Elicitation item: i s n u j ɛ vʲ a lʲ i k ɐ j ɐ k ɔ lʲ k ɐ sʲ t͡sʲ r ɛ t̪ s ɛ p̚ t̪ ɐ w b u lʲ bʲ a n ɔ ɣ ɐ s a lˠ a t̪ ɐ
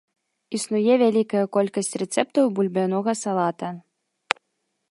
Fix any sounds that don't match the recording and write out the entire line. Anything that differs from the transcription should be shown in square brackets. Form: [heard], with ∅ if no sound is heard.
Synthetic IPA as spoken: i s n u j ɛ vʲ a lʲ i k ɐ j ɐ k ɔ lʲ k ɐ sʲ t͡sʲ r ɛ t̪ s ɛ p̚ t̪ ɐ w b u lʲ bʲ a n ɔ ɣ ɐ s a lˠ a t̪ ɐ